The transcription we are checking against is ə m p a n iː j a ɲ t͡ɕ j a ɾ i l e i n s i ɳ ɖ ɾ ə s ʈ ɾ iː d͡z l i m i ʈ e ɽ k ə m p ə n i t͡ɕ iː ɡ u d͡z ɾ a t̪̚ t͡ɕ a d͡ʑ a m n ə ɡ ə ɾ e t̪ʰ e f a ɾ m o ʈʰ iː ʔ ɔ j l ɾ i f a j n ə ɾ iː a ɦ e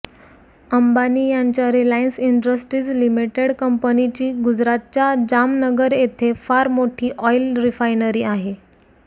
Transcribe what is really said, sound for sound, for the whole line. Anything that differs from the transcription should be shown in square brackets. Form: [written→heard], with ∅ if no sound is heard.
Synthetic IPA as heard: ə m [p→b] a n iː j a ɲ t͡ɕ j a ɾ i l [e→a] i n s i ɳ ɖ ɾ ə s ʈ ɾ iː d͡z l i m i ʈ e ɽ k ə m p ə n i t͡ɕ iː ɡ u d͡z ɾ a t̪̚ t͡ɕ a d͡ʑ a m n ə ɡ ə ɾ e t̪ʰ e f a ɾ m o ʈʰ iː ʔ ɔ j l ɾ i f a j n ə ɾ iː a ɦ e